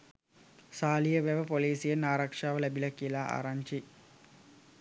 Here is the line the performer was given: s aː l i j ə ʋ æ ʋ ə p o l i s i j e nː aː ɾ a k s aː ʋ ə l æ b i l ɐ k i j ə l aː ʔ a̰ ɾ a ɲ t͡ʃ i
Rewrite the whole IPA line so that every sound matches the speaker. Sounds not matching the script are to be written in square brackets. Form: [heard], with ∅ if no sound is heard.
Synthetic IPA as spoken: s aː l i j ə ʋ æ ʋ ə p o l [iː] s i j e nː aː ɾ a k [ʂ] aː ʋ ə l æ b i l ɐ k i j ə l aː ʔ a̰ ɾ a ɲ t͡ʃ i